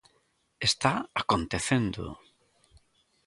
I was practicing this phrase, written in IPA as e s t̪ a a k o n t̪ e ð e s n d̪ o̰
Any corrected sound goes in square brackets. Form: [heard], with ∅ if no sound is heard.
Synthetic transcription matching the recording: e s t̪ a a k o n t̪ e [θ] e [∅] n d̪ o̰